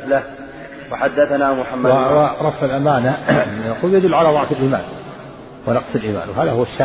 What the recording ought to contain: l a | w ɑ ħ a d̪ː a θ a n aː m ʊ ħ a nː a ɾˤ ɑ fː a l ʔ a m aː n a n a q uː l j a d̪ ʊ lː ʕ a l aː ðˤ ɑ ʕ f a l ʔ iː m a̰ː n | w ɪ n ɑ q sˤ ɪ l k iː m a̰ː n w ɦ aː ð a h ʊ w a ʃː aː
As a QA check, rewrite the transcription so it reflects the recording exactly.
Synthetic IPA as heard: l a | w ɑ ħ a d̪ː a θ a n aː m ʊ ħ a mː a ɾˤ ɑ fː a l ʔ a m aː n a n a q uː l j a d̪ ʊ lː ʕ a l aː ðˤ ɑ ʕ f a l ʔ iː m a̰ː n | w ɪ n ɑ q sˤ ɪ l ʔ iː m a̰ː n w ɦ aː ð a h ʊ w a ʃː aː